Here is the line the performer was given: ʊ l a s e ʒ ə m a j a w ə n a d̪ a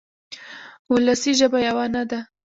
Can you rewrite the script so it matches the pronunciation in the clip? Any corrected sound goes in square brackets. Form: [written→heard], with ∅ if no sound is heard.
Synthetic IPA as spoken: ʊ l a s [e→i] ʒ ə [m→b] a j a w [ə→a] n a d̪ a

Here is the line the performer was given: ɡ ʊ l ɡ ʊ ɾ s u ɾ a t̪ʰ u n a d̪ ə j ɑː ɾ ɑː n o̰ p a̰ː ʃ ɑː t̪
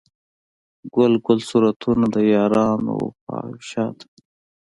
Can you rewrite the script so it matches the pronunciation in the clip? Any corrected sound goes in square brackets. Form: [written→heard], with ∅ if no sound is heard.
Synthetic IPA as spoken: ɡ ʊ l ɡ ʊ [ɾ→l] s u ɾ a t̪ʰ u n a d̪ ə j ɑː ɾ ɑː n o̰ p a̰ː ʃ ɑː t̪

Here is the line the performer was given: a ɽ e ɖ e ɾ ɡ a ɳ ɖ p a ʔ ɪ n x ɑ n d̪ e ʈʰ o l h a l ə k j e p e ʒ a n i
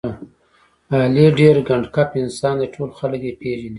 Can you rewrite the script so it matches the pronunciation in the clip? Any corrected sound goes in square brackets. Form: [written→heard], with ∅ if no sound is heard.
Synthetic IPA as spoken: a [ɽ→l] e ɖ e ɾ ɡ a ɳ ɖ [p→k] a [ʔ→p] ɪ n [x→s] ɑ n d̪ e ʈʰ o l [h→x] a l ə k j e p e ʒ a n i

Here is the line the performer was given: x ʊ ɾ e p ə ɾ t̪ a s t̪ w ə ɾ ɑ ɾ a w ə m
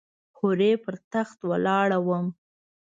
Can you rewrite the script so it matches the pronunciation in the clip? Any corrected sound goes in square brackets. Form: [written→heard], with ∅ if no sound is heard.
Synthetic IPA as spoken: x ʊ ɾ e p ə ɾ t̪ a [s→x] t̪ w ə [ɾ→l] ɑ [ɾ→ɽ] a w ə m

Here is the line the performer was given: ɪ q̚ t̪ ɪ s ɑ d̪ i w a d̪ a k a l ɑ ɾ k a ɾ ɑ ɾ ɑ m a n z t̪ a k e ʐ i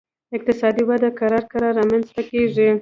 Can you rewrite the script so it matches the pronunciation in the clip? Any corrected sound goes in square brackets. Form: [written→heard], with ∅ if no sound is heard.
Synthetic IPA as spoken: ɪ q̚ t̪ ɪ s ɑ d̪ i w a d̪ a k a [l→ɾ] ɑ ɾ k a ɾ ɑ ɾ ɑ m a n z t̪ a k e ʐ i

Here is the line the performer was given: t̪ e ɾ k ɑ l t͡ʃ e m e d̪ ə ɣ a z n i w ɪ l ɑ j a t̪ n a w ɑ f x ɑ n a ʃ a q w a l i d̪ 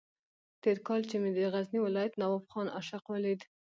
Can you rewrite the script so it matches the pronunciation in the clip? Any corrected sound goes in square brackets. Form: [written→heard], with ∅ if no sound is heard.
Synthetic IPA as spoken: t̪ e ɾ k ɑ l t͡ʃ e m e d̪ ə ɣ a z n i w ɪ l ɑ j a t̪ n a w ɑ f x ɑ n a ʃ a q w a l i d̪

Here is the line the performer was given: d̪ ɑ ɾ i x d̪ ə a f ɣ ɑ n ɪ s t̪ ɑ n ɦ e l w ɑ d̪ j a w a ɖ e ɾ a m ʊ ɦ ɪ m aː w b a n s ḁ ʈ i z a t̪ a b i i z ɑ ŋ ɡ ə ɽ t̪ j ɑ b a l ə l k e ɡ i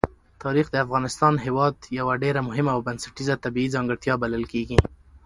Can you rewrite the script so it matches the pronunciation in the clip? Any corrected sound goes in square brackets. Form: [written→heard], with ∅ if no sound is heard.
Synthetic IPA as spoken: [d̪→t̪] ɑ ɾ i x d̪ ə a f ɣ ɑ n ɪ s t̪ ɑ n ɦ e [l→∅] w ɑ d̪ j a w a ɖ e ɾ a m ʊ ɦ ɪ m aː w b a n s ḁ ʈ i z a t̪ a b i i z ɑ ŋ ɡ ə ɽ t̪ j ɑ b a l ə l k e ɡ i

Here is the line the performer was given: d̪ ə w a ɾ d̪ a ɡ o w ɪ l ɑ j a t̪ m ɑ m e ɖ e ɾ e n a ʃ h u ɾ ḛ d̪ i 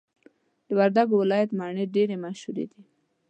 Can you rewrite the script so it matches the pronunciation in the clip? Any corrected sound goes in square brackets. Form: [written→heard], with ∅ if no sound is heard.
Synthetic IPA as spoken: d̪ ə w a ɾ d̪ a ɡ o w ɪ l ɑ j a t̪ m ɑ [m→ɳ] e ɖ e ɾ e [n→m] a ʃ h u ɾ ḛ d̪ i

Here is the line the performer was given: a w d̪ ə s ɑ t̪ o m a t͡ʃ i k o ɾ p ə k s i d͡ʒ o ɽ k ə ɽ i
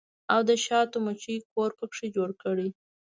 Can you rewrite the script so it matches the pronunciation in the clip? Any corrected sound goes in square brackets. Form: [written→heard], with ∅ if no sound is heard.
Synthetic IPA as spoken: a w d̪ ə [s→ʃ] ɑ t̪ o m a t͡ʃ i k o ɾ p ə k [s→ʂ] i d͡ʒ o ɽ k ə ɽ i

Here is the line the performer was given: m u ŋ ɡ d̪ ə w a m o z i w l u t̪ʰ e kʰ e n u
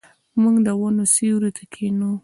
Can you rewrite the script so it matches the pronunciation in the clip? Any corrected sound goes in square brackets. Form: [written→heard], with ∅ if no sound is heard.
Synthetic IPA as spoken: m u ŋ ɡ d̪ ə w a [m→n] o [z→s] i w [l→ɾ] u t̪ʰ [e→a] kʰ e n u

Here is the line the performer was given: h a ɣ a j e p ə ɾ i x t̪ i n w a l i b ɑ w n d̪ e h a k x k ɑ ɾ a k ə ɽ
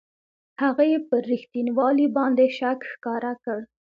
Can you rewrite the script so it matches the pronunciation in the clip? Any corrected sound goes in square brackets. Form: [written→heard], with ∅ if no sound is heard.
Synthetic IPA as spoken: h a ɣ a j e p ə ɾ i x t̪ i n w [a→ɑ] l i b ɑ [w→∅] n d̪ e [h→ʃ] a k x k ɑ ɾ a k ə ɽ

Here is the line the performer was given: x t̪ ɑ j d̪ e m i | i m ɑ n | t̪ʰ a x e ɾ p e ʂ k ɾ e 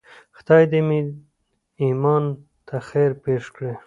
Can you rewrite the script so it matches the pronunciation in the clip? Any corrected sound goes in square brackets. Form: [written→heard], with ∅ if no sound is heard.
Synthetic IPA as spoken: x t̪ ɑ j d̪ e m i | i m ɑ n | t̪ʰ a x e ɾ p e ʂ k [ɾ→ɽ] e

